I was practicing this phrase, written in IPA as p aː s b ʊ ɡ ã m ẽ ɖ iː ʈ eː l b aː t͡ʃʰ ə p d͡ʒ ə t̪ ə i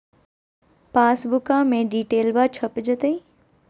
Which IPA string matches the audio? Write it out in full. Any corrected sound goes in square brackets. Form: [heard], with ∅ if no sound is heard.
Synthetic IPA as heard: p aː s b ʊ [k] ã m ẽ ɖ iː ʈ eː l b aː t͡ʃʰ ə p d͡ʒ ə t̪ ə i